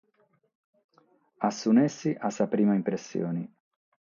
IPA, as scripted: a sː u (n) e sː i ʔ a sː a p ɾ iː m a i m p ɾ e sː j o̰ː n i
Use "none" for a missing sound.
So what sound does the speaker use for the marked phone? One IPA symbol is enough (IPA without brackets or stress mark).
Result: n